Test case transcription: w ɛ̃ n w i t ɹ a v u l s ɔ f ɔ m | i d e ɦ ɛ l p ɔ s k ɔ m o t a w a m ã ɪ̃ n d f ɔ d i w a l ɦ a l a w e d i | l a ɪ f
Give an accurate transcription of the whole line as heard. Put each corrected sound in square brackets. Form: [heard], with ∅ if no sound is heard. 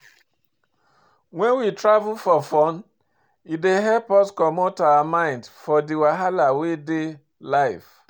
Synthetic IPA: w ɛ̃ n w i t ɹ a v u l [f] ɔ f ɔ [n] | i d e ɦ ɛ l p ɔ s k ɔ m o t a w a m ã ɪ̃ n d f ɔ d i w a [∅] ɦ a l a w e d [e] | l a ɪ f